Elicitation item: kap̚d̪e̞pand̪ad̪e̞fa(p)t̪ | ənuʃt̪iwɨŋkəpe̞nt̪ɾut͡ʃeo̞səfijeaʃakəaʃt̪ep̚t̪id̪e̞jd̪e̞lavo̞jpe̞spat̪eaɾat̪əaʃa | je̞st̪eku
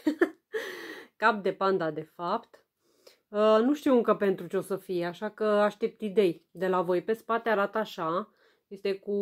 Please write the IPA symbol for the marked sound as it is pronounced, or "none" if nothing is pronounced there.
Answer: p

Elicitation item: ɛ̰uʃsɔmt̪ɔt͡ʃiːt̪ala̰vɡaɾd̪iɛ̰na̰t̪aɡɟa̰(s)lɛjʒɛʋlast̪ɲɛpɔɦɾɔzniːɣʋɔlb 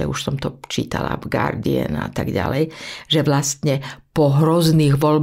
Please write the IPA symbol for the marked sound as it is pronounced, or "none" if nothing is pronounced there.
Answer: none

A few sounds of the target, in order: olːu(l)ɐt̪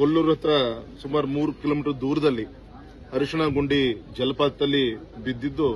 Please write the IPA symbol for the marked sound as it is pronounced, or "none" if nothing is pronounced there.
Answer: ɾ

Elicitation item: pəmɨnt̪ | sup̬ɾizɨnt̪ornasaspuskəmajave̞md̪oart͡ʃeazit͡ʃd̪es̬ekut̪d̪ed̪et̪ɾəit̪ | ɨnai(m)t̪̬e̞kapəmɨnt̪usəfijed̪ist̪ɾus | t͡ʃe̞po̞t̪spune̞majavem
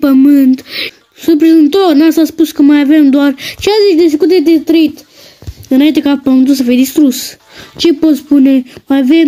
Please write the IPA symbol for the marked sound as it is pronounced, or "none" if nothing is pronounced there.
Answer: n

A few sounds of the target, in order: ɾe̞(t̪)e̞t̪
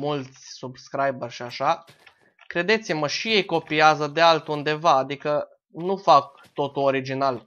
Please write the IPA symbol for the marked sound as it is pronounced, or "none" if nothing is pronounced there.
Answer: d̪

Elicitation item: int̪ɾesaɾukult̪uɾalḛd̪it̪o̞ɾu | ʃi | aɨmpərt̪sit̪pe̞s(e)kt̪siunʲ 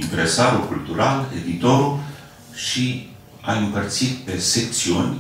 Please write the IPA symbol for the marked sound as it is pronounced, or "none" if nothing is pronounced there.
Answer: e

